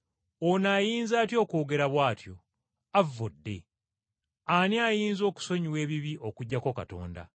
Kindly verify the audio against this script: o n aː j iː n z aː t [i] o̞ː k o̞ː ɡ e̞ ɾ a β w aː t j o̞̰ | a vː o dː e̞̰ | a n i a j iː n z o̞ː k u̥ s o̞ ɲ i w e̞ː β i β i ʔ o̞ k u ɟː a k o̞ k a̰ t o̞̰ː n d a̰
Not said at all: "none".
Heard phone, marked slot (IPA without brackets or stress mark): j